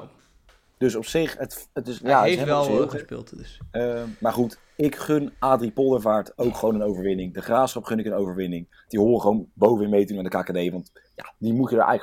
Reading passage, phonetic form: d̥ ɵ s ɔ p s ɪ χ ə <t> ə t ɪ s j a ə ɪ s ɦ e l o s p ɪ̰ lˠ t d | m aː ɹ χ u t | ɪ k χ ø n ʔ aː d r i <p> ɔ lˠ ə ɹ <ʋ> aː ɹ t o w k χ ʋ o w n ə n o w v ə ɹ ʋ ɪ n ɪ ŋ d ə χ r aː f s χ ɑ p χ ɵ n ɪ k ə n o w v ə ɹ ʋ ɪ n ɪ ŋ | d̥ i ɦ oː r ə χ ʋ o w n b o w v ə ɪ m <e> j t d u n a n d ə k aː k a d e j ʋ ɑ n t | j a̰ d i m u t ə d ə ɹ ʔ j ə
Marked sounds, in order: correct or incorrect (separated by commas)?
correct, correct, incorrect, correct